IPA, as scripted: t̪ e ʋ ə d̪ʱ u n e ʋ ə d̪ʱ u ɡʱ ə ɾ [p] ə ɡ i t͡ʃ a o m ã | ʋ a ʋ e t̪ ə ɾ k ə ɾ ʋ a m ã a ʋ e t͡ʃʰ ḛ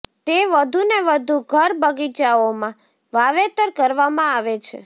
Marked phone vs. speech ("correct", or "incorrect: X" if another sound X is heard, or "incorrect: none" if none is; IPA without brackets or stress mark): incorrect: b